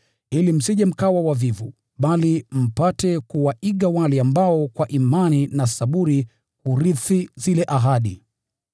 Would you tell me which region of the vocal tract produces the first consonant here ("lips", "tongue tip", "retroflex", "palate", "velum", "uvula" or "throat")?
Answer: tongue tip